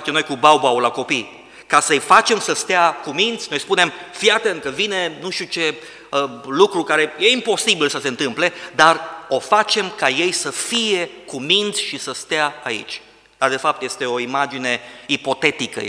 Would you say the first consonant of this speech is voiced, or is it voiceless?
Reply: voiceless